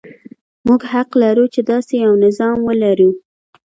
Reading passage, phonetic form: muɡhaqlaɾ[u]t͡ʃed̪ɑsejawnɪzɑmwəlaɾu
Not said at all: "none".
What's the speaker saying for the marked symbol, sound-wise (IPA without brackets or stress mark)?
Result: u